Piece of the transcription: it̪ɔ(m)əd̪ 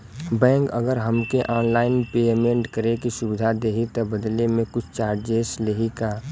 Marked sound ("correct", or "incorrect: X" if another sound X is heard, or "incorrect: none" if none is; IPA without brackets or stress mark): incorrect: b